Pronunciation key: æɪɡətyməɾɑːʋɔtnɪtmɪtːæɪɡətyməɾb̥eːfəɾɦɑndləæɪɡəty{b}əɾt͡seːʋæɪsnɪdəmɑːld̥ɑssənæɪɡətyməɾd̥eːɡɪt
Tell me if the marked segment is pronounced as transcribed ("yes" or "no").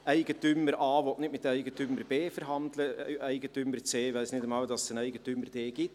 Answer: no